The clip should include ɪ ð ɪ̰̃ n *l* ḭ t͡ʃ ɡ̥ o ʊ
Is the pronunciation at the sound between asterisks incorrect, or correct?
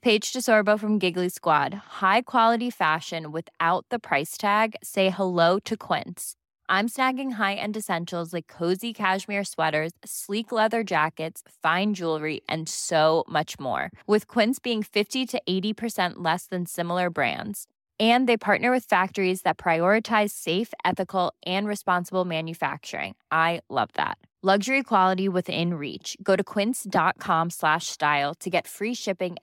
incorrect